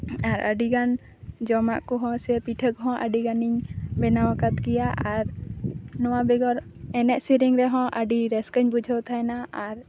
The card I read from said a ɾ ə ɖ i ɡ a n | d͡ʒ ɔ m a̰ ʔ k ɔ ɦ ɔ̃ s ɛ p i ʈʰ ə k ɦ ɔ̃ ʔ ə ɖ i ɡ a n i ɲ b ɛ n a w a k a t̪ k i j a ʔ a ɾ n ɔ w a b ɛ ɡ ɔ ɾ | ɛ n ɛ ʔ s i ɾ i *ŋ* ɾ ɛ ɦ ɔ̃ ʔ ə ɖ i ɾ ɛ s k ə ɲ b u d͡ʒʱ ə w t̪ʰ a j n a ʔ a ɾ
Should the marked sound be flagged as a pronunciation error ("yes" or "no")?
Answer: no